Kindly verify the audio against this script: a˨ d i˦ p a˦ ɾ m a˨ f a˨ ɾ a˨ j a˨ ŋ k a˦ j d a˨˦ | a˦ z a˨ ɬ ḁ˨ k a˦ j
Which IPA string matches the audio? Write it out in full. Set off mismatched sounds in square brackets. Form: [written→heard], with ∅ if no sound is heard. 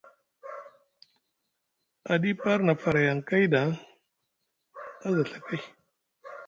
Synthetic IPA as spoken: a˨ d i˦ p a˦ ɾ [m→n] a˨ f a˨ ɾ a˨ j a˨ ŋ k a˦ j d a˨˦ | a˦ z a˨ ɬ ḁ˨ k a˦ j